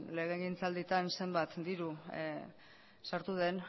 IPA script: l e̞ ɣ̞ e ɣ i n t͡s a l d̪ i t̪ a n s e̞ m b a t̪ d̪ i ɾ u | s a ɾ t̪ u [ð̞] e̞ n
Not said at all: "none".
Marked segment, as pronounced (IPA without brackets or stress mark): ð̞